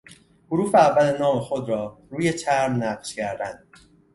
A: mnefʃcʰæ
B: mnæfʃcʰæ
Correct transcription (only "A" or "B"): B